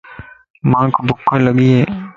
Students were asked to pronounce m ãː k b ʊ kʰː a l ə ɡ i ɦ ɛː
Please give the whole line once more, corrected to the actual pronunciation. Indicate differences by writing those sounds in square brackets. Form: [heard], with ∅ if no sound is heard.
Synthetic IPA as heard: m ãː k b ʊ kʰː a l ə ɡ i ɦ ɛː